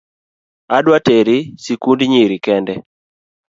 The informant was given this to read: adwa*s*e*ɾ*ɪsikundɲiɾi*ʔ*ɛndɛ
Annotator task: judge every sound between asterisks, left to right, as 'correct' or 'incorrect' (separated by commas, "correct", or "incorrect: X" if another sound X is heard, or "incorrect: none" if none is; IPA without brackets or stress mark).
incorrect: t, correct, incorrect: k